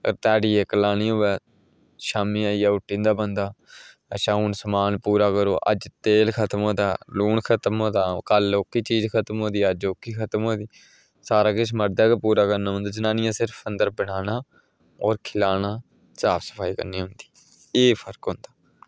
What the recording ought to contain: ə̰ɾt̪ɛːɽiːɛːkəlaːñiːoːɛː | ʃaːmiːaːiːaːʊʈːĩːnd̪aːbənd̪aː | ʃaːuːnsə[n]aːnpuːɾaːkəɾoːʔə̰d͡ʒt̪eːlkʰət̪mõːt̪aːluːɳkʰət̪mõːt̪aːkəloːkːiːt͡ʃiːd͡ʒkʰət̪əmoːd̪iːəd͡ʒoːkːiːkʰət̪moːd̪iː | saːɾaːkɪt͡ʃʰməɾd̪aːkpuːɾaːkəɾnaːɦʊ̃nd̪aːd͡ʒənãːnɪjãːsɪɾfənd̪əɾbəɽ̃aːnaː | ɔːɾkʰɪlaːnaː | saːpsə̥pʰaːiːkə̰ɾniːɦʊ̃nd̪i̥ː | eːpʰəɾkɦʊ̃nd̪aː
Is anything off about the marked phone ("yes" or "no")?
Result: yes